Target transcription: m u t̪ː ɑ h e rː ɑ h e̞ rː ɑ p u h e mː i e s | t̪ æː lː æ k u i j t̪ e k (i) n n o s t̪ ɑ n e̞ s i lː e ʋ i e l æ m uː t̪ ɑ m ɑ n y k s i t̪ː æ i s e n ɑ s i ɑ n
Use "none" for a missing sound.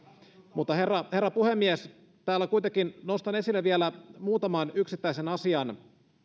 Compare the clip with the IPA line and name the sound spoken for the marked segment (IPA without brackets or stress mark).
i